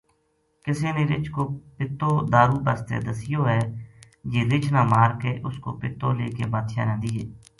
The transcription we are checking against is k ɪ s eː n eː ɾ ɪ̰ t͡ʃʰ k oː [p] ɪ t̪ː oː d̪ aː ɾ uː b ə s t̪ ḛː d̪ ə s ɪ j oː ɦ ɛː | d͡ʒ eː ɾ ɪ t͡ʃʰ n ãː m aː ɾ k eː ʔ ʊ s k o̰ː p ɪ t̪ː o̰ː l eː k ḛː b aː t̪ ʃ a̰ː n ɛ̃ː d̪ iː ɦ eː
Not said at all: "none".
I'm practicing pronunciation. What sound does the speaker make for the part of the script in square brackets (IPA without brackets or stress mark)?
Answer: p